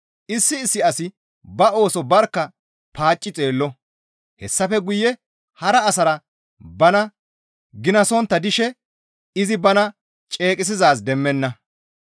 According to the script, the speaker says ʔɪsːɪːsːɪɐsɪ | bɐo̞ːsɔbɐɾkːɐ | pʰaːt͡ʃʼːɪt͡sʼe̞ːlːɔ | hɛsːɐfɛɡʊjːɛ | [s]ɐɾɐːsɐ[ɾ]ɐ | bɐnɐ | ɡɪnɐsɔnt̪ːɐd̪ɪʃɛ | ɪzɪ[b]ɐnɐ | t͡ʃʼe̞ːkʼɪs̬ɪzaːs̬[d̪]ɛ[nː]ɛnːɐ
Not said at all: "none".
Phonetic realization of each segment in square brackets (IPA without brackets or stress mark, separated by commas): h, ɾ, b, d̪, mː